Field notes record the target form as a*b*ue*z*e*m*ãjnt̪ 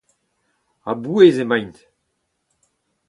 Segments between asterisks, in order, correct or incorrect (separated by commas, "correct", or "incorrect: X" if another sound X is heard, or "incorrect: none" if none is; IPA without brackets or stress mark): correct, correct, correct